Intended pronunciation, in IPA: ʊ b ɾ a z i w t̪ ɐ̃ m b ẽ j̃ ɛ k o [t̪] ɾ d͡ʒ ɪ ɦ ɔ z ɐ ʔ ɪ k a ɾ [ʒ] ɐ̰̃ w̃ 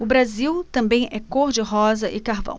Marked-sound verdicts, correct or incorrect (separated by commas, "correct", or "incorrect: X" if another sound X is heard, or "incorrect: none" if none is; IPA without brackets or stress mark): incorrect: none, incorrect: v